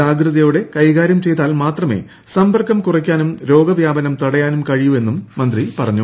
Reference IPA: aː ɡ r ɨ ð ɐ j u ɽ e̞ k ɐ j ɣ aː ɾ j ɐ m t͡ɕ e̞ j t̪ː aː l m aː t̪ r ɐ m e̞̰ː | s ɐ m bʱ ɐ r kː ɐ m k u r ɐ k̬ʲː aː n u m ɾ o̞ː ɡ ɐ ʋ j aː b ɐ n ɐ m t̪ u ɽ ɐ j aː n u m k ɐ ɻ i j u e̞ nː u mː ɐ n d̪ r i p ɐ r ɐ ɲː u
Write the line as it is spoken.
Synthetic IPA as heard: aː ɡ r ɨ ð ɐ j u ɽ e̞ k ɐ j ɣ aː ɾ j ɐ m t͡ɕ e̞ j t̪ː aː l m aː t̪ r ɐ m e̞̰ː | s ɐ m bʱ ɐ r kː ɐ m k u r ɐ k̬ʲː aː n u m ɾ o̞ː ɡ ɐ ʋ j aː b ɐ n ɐ m t̪ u ɽ ɐ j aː n u m k ɐ ɻ i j u e̞ nː u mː ɐ n d̪ r i p ɐ r ɐ ɲː u